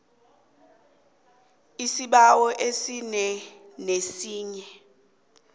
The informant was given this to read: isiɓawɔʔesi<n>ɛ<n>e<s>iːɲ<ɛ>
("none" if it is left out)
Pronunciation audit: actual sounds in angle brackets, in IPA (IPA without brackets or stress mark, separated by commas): n, n, s, ɛ